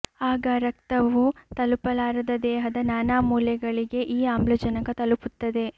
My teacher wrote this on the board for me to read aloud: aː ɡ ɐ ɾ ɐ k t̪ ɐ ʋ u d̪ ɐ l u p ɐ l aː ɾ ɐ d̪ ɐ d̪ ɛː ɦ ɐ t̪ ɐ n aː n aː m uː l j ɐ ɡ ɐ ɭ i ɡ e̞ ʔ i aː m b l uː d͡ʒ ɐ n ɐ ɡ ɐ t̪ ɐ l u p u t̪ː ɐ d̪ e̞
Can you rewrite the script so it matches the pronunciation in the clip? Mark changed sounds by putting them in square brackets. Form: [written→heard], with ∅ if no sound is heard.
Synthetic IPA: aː ɡ ɐ ɾ ɐ k t̪ ɐ ʋ u [d̪→t̪] ɐ l u p ɐ l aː ɾ ɐ d̪ ɐ d̪ ɛː ɦ ɐ [t̪→d̪] ɐ n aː n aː m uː l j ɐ ɡ ɐ ɭ i ɡ e̞ ʔ [i→iː] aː m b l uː d͡ʒ ɐ n ɐ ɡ ɐ t̪ ɐ l u p u t̪ː ɐ d̪ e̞

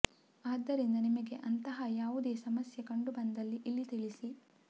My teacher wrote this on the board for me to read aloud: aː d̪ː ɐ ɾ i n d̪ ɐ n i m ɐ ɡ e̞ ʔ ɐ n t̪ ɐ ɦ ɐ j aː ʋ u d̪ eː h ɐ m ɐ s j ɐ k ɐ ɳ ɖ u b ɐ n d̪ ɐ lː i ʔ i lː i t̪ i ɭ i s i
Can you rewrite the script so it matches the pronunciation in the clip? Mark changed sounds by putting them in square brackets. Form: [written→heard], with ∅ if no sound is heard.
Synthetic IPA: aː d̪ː ɐ ɾ i n d̪ ɐ n i m ɐ ɡ e̞ ʔ ɐ n t̪ ɐ ɦ ɐ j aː ʋ u d̪ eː [h→s] ɐ m ɐ s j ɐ k ɐ ɳ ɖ u b ɐ n d̪ ɐ lː i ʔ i lː i t̪ i ɭ i s i

